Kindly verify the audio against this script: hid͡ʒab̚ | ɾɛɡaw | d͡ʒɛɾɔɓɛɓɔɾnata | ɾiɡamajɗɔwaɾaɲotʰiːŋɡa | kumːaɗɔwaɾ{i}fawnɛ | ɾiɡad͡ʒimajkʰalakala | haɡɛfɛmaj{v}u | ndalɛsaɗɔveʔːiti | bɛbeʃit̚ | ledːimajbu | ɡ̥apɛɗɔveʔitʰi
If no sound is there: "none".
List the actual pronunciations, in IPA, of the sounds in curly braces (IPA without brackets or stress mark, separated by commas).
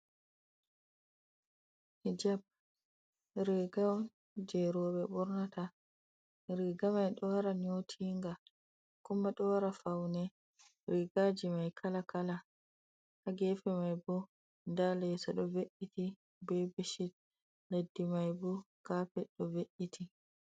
a, b